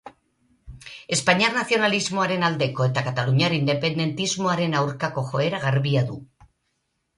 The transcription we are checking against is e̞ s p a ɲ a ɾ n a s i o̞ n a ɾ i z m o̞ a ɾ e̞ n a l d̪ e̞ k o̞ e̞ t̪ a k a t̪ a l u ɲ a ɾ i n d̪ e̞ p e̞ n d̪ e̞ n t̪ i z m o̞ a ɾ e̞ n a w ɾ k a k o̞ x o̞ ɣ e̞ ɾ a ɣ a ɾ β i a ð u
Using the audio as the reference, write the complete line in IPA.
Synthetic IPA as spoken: e̞ s p a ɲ a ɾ n a θ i o̞ n a l i z m o̞ a ɾ e̞ n a l d̪ e̞ k o̞ e̞ t̪ a k a t̪ a l u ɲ a ɾ i n d̪ e̞ p e̞ n d̪ e̞ n t̪ i z m o̞ a ɾ e̞ n a w ɾ k a k o̞ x o̞ e̞ ɾ a ɣ a ɾ β i a ð u

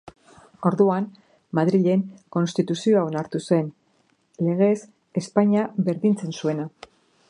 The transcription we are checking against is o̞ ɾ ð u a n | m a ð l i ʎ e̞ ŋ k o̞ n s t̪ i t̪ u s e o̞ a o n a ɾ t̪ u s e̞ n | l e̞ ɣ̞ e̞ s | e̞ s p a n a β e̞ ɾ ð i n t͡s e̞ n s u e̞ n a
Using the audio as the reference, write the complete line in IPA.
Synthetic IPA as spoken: o̞ ɾ ð u a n | m a ð ɾ i ʎ e̞ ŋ k o̞ n s t̪ i t̪ u s i o̞ a o n a ɾ t̪ u s e̞ n | l e̞ ɣ̞ e̞ s | e̞ s p a ɲ a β e̞ ɾ ð i n t͡s e̞ n s u e̞ n a

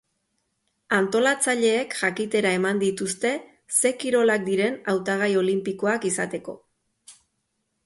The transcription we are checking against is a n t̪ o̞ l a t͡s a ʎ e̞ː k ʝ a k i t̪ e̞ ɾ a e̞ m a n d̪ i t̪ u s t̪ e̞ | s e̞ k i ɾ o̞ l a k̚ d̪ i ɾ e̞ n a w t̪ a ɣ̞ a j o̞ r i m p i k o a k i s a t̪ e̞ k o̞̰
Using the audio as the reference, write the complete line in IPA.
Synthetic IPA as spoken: a n t̪ o̞ l a t͡s a ʎ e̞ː k ʝ a k i t̪ e̞ ɾ a e̞ m a n d̪ i t̪ u s t̪ e̞ | s e̞ k i ɾ o̞ l a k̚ d̪ i ɾ e̞ n a w t̪ a ɣ̞ a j o̞ l i m p i k o a k i s a t̪ e̞ k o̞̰

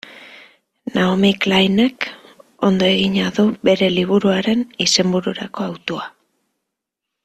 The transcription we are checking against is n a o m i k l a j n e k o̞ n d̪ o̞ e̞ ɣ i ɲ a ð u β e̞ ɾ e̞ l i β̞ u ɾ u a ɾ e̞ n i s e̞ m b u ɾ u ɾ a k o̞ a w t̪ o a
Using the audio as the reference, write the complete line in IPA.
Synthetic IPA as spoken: n a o m i k l a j n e k o̞ n d̪ o̞ e̞ ɣ i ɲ a ð u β e̞ ɾ e̞ l i β̞ u ɾ u a ɾ e̞ n i s e̞ m b u ɾ u ɾ a k o̞ a w t̪ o a

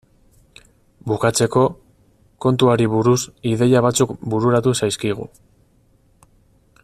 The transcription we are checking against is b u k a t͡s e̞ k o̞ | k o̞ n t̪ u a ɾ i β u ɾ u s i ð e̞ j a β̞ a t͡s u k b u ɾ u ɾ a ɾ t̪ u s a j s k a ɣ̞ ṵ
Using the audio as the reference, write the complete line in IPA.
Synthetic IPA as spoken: b u k a t͡s e̞ k o̞ | k o̞ n t̪ u a ɾ i β u ɾ u s i ð e̞ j a β̞ a t͡s u k b u ɾ u ɾ a t̪ u s a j s k i ɣ̞ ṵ

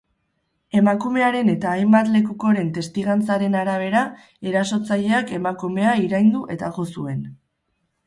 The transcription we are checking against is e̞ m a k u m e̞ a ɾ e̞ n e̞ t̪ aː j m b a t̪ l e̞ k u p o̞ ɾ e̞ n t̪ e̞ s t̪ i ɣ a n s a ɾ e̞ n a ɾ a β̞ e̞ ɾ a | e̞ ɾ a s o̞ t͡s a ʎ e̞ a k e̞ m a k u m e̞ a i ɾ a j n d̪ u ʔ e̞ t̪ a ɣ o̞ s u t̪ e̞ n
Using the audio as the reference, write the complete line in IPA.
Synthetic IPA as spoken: e̞ m a k u m e̞ a ɾ e̞ n e̞ t̪ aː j m b a t̪ l e̞ k u k o̞ ɾ e̞ n t̪ e̞ s t̪ i ɣ a n t͡s a ɾ e̞ n a ɾ a β̞ e̞ ɾ a | e̞ ɾ a s o̞ t͡s a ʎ e̞ a k e̞ m a k u m e̞ a i ɾ a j n d̪ u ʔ e̞ t̪ a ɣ o̞ s u e̞ n

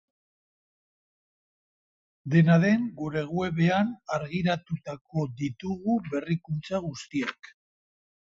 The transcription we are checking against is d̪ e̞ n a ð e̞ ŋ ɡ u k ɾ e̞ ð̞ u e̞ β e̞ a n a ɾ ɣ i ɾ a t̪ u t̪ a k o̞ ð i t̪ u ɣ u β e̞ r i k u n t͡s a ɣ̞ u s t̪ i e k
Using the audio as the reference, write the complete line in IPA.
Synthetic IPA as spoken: d̪ e̞ n a ð e̞ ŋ ɡ u ɾ e̞ ɣ̞ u e̞ β e̞ a n a ɾ ɣ i ɾ a t̪ u t̪ a k o̞ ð i t̪ u ɣ u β e̞ r i k u n t͡s a ɣ̞ u s t̪ i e k

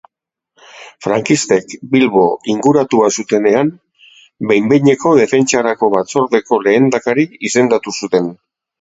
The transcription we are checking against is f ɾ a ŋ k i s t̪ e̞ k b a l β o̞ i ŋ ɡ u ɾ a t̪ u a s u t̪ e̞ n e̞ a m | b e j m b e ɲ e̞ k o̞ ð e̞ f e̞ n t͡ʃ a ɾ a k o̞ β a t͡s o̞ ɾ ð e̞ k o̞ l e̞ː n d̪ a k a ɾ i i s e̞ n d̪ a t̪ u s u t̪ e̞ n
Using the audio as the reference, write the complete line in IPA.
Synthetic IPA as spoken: f ɾ a ŋ k i s t̪ e̞ k b i l β o̞ i ŋ ɡ u ɾ a t̪ u a s u t̪ e̞ n e̞ a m | b e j m b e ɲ e̞ k o̞ ð e̞ f e̞ n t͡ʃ a ɾ a k o̞ β a t͡s o̞ ɾ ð e̞ k o̞ l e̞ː n d̪ a k a ɾ i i s e̞ n d̪ a t̪ u s u t̪ e̞ n

